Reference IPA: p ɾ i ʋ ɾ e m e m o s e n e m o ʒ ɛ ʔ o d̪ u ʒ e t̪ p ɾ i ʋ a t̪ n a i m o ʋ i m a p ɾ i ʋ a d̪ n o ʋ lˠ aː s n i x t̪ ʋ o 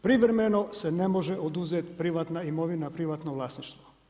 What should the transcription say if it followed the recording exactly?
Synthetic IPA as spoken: p ɾ i ʋ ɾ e m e n o s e n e m o ʒ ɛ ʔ o d̪ u z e t̪ p ɾ i ʋ a t̪ n a i m o ʋ i n a p ɾ i ʋ a t̪ n o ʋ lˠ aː s n i ʃ t̪ ʋ o